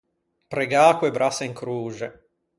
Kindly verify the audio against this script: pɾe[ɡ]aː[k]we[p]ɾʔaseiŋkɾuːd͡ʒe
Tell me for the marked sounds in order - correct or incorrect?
correct, correct, incorrect

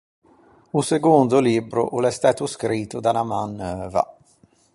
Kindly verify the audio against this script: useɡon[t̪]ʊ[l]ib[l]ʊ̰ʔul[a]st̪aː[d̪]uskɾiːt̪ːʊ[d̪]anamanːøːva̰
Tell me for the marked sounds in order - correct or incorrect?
incorrect, correct, incorrect, incorrect, incorrect, correct

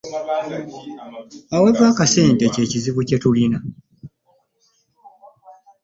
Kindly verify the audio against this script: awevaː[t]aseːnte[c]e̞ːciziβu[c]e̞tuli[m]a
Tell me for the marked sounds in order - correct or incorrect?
incorrect, correct, correct, incorrect

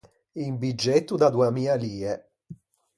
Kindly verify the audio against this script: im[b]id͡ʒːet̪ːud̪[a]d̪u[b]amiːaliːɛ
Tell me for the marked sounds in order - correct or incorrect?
correct, correct, incorrect

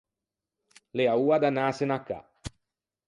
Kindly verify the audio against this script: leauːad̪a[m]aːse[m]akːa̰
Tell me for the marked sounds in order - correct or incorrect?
incorrect, incorrect

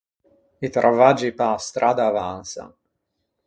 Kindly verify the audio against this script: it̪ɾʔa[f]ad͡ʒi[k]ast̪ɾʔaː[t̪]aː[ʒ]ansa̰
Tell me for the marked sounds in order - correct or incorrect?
incorrect, incorrect, incorrect, incorrect

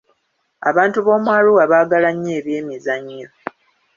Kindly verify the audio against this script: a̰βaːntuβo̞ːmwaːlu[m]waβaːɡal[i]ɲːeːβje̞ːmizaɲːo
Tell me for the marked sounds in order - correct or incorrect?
incorrect, incorrect

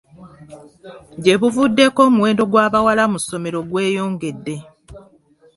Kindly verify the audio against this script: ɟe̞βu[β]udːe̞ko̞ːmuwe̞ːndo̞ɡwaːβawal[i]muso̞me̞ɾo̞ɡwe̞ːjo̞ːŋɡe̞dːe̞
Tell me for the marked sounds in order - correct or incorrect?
incorrect, incorrect

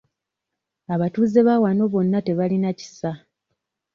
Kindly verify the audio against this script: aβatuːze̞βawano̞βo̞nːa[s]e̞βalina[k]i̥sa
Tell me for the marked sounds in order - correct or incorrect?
incorrect, incorrect

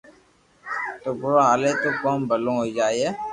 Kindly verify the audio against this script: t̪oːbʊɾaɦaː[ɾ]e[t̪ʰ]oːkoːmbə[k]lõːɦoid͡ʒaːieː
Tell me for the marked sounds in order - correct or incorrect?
incorrect, incorrect, incorrect

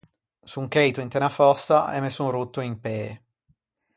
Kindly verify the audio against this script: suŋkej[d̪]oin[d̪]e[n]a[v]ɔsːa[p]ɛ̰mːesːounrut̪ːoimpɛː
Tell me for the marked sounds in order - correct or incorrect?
incorrect, incorrect, correct, incorrect, incorrect

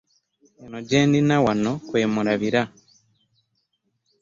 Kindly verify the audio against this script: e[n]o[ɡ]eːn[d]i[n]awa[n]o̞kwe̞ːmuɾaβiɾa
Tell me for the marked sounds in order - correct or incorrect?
correct, incorrect, correct, correct, correct

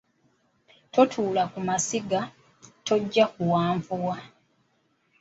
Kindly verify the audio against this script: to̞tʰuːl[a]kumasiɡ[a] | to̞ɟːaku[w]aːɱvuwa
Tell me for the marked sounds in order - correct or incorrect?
correct, correct, correct

